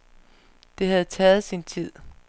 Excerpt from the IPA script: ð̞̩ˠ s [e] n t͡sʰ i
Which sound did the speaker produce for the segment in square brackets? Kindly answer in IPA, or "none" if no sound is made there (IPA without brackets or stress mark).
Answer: i